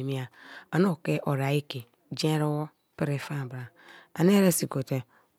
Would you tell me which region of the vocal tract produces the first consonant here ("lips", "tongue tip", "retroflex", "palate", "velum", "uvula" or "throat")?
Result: lips